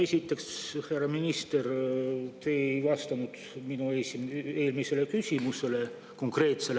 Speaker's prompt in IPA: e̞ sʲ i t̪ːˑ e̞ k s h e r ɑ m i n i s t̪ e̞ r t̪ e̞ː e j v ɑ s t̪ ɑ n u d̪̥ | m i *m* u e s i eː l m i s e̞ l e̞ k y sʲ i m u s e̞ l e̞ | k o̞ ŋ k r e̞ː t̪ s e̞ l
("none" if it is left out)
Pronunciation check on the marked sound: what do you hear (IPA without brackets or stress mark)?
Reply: n